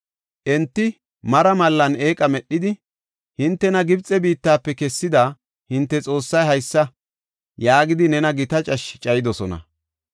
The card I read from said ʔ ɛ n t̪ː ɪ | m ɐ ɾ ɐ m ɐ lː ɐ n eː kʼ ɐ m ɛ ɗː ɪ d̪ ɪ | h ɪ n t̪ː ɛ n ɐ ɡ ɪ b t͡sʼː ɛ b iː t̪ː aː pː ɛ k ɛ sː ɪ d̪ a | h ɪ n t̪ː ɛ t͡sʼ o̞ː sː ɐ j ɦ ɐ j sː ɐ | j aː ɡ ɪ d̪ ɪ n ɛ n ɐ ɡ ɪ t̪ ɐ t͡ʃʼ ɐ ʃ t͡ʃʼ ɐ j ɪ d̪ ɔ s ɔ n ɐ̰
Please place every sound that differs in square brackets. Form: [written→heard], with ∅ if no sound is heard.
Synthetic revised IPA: ʔ ɛ n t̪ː ɪ | m ɐ ɾ ɐ m ɐ lː ɐ n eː kʼ ɐ m ɛ ɗː ɪ d̪ ɪ | h ɪ n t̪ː ɛ n ɐ ɡ ɪ b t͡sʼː ɛ b iː t̪ː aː pː ɛ k ɛ sː ɪ d̪ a | h ɪ n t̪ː ɛ t͡sʼ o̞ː sː ɐ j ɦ ɐ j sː ɐ | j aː ɡ ɪ d̪ ɪ n ɛ n ɐ ɡ ɪ t̪ ɐ t͡ʃʼ ɐ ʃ t͡ʃʼ ɐ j ɪ d̪ ɔ s ɔ n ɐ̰